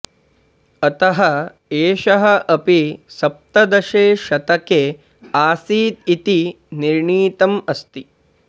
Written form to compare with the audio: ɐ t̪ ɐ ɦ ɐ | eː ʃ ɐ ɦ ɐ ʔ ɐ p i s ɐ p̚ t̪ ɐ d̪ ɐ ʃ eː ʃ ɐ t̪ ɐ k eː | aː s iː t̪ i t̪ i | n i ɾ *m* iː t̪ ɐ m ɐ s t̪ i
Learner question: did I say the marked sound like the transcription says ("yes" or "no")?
no